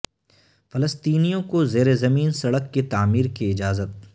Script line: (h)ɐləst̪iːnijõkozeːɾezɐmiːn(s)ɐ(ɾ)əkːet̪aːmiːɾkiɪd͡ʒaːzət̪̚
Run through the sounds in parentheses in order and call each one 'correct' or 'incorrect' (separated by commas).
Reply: incorrect, correct, incorrect